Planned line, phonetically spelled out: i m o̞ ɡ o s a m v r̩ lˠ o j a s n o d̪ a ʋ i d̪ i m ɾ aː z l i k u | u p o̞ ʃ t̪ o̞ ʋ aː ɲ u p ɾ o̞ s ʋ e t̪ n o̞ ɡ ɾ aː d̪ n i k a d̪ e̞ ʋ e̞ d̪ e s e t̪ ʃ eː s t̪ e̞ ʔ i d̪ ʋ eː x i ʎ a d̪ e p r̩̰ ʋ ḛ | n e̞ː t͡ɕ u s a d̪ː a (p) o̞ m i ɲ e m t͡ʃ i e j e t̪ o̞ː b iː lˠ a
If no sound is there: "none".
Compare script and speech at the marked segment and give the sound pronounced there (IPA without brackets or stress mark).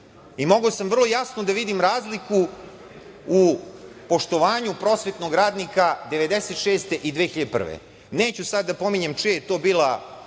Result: p